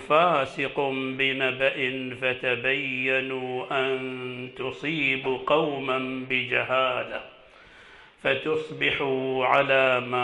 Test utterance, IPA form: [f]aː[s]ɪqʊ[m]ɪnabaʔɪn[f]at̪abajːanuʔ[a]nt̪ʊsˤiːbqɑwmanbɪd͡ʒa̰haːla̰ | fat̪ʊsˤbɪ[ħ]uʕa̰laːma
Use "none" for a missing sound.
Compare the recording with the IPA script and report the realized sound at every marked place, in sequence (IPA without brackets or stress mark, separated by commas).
f, s, b, f, a, ħ